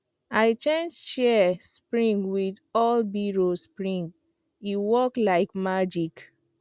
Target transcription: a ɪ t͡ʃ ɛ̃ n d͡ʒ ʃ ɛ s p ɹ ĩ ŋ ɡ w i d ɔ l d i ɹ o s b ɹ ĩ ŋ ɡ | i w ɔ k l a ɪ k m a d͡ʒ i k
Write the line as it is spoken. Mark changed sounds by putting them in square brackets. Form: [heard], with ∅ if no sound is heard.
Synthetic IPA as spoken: a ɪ t͡ʃ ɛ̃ n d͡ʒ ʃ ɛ s p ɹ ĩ ŋ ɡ w i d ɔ l [b] i ɹ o s [p] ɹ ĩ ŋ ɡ | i w ɔ k l a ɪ k m a d͡ʒ i k